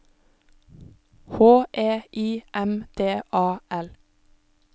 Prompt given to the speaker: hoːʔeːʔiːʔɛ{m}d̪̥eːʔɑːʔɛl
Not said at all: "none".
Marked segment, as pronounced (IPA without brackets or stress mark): m